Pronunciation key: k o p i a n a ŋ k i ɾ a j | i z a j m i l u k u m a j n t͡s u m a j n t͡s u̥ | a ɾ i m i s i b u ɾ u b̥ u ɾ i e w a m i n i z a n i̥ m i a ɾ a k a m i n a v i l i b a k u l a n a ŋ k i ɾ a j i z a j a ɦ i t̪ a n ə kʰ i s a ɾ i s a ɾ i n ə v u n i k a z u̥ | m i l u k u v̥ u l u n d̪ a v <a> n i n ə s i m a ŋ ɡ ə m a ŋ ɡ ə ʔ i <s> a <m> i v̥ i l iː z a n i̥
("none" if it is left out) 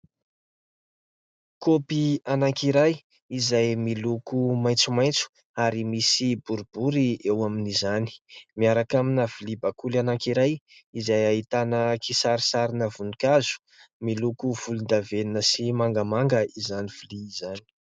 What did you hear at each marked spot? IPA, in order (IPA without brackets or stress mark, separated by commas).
e, z, n